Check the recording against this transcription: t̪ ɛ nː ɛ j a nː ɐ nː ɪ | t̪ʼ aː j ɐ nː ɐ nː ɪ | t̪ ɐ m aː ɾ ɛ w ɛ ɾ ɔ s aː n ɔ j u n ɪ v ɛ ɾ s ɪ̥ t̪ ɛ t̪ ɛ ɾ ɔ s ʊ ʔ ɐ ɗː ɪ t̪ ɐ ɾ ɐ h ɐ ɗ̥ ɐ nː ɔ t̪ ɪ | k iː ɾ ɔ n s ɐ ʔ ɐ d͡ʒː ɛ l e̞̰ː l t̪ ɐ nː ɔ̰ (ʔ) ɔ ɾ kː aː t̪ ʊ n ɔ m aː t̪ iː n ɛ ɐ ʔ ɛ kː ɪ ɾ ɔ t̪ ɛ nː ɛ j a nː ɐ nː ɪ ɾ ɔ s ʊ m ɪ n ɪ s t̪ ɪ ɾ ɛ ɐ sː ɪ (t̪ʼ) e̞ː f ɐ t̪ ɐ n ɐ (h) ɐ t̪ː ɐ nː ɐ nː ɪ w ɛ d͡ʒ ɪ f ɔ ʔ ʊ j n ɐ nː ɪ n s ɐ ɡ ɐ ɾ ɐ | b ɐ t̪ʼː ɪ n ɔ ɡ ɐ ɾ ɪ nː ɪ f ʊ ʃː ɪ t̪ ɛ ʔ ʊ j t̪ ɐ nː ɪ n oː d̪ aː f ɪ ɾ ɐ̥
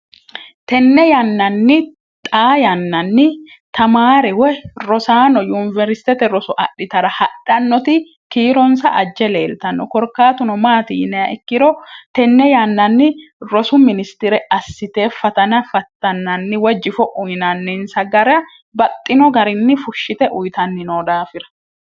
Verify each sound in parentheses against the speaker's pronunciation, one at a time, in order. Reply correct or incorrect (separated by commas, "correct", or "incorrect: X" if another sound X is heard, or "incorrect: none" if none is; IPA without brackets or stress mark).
incorrect: k, incorrect: t̪, incorrect: f